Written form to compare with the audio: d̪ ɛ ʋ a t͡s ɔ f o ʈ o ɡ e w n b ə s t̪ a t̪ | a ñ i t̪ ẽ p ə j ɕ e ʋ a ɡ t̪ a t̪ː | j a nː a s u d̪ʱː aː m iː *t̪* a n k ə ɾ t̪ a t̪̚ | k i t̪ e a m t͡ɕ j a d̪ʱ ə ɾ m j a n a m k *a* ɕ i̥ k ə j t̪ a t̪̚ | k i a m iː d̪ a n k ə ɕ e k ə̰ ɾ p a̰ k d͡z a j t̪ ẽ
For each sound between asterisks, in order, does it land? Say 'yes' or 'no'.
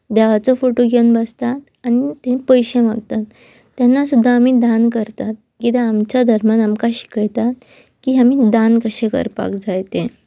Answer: no, yes

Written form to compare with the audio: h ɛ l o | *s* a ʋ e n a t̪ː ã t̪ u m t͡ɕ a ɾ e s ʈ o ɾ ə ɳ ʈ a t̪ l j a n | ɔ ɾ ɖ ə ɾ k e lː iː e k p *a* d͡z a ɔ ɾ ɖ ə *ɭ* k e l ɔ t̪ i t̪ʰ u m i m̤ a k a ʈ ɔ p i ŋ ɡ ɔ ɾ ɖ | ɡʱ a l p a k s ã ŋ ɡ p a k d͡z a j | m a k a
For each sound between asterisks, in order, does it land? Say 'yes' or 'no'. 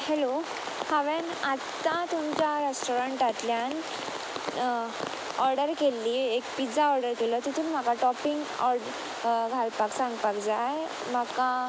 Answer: no, no, no

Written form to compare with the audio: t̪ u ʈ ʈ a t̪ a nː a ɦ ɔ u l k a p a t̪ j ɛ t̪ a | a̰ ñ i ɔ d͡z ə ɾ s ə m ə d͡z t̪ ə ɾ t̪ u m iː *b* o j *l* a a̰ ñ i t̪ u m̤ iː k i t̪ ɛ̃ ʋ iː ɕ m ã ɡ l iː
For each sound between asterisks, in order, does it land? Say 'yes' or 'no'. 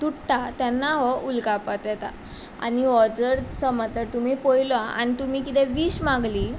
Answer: no, yes

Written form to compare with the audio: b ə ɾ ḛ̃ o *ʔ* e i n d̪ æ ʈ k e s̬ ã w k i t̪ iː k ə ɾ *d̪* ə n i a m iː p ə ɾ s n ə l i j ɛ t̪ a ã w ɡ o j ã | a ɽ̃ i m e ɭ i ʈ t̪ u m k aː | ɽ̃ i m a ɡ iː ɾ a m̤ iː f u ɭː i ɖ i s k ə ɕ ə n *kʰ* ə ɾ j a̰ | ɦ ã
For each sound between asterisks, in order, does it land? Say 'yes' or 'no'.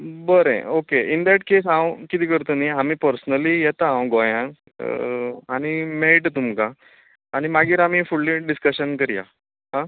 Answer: no, no, no

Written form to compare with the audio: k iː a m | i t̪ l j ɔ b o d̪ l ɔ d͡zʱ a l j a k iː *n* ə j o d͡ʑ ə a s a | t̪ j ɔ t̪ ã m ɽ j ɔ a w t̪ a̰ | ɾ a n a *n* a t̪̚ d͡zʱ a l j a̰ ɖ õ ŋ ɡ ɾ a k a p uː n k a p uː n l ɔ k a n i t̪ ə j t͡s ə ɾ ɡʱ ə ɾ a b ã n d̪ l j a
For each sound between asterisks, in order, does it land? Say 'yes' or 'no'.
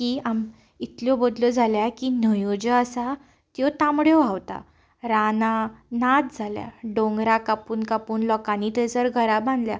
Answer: yes, yes

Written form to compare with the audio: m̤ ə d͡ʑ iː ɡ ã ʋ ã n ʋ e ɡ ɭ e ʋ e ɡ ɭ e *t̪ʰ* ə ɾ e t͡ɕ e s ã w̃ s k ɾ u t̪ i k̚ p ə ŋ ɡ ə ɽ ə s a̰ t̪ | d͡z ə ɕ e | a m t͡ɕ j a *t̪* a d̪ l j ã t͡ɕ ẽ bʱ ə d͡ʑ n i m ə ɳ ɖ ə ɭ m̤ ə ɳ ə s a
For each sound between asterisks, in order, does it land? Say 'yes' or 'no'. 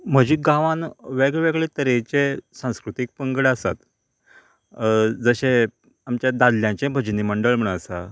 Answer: no, no

